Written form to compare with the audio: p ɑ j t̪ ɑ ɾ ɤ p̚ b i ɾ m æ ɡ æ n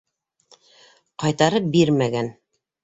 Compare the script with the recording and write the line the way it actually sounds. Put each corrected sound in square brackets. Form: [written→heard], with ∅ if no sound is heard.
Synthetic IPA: [p→q] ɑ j t̪ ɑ ɾ ɤ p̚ b i ɾ m æ ɡ æ n

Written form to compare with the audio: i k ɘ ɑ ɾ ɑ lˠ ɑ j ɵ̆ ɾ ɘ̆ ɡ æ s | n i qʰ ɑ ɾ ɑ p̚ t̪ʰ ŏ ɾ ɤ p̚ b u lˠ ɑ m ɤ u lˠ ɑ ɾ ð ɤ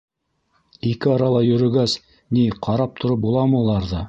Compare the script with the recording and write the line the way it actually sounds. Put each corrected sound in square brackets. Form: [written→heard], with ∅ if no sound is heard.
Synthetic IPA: i k ɘ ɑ ɾ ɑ lˠ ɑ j ɵ̆ ɾ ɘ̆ ɡ æ s | n i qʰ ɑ ɾ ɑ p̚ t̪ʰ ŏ ɾ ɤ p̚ b u lˠ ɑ m ɤ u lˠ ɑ ɾ ð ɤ

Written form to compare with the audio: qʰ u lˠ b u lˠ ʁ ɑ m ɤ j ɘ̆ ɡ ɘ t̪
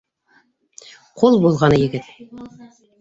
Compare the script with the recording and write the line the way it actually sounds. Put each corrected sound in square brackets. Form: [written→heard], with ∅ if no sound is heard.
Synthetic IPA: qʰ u lˠ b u lˠ ʁ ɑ [m→n] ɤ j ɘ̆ ɡ ɘ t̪

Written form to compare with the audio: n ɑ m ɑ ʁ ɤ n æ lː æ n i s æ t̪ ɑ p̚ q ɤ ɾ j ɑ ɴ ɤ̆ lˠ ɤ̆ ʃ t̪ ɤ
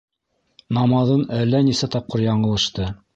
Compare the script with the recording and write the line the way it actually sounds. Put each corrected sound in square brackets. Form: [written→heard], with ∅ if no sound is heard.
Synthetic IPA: n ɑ m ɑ [ʁ→ð] ɤ n æ lː æ n i s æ t̪ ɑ p̚ q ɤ ɾ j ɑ ɴ ɤ̆ lˠ ɤ̆ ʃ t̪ ɤ

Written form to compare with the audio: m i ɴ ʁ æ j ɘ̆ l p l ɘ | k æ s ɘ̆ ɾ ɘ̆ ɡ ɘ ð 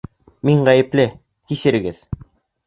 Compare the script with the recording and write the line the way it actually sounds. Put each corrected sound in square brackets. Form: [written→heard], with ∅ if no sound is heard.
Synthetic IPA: m i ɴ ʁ æ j ɘ̆ [l→∅] p l ɘ | k [æ→i] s ɘ̆ ɾ ɘ̆ ɡ ɘ ð

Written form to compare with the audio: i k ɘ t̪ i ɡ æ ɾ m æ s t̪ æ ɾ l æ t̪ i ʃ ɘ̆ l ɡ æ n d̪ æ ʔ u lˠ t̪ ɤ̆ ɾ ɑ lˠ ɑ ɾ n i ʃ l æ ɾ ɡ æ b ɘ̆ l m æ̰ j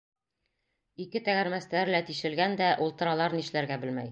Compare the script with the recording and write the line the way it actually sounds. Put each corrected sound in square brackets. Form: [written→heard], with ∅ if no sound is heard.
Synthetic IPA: i k ɘ t̪ [i→æ] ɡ æ ɾ m æ s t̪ æ ɾ l æ t̪ i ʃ ɘ̆ l ɡ æ n d̪ æ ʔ u lˠ t̪ ɤ̆ ɾ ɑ lˠ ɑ ɾ n i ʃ l æ ɾ ɡ æ b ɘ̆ l m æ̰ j

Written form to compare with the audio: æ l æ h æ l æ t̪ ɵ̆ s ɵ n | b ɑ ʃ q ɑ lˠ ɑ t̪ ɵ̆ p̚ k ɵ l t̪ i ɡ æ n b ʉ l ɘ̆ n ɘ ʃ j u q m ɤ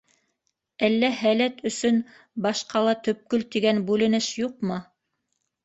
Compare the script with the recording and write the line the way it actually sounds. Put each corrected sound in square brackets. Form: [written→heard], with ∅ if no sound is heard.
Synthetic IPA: æ [l→lː] æ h æ l æ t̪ ɵ̆ s ɵ n | b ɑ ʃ q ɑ lˠ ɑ t̪ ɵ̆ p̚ k ɵ l t̪ i ɡ æ n b ʉ l ɘ̆ n ɘ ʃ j u q m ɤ

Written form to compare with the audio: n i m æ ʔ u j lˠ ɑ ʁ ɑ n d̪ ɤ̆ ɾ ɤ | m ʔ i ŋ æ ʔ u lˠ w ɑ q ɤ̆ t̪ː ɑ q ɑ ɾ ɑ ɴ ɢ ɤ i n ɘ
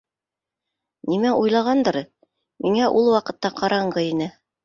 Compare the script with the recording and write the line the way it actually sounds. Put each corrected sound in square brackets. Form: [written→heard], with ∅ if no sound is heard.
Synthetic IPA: n i m æ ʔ u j lˠ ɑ ʁ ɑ n d̪ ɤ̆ ɾ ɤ | m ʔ i ŋ æ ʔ u lˠ w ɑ q ɤ̆ t̪ː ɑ q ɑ ɾ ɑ ɴ ɢ ɤ i n ɘ

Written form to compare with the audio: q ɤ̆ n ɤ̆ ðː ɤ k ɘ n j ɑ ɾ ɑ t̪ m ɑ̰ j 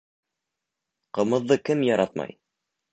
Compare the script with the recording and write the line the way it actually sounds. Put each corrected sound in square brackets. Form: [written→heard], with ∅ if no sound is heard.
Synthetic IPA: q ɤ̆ [n→m] ɤ̆ ðː ɤ k ɘ [n→m] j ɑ ɾ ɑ t̪ m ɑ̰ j

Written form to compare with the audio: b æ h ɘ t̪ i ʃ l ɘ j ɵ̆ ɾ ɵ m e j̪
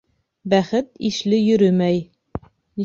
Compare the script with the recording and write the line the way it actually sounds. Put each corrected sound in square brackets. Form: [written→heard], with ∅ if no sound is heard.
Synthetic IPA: b æ [h→χ] ɘ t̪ i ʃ l ɘ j ɵ̆ ɾ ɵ m [e→æ] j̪

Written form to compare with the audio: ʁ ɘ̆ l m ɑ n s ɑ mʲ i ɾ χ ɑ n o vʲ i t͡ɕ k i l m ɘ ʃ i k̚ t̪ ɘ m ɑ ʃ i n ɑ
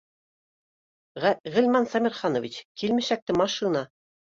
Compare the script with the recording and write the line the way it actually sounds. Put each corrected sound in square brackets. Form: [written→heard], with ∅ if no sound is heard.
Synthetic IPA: ʁ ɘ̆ l m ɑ n s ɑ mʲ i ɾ χ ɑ n o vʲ i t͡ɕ k i l m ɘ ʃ [i→æ] k̚ t̪ ɘ m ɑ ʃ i n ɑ

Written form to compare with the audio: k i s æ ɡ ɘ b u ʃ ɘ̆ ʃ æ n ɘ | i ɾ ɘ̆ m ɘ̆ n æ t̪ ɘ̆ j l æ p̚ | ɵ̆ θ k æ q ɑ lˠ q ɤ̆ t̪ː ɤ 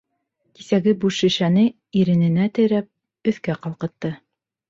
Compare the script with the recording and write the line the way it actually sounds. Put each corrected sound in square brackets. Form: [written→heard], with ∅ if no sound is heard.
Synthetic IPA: k i s æ ɡ ɘ b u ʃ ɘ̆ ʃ æ n ɘ | i ɾ ɘ̆ [m→n] ɘ̆ n æ t̪ ɘ̆ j [l→ɾ] æ p̚ | ɵ̆ θ k æ q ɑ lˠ q ɤ̆ t̪ː ɤ

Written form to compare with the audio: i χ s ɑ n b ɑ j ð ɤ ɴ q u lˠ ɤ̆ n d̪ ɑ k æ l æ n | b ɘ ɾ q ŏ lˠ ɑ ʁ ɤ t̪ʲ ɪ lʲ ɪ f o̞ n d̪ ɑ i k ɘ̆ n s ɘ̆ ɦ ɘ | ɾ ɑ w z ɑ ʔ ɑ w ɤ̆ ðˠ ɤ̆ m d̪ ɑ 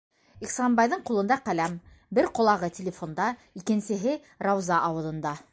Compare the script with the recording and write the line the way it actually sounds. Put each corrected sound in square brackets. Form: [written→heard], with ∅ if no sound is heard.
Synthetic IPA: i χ s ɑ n b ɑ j ð ɤ ɴ q u lˠ ɤ̆ n d̪ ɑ [k→q] æ l æ [n→m] | b ɘ ɾ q ŏ lˠ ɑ ʁ ɤ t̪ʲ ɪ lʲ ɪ f o̞ n d̪ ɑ i k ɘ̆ n s ɘ̆ ɦ ɘ | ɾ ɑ w z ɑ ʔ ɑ w ɤ̆ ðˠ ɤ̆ [m→n] d̪ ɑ

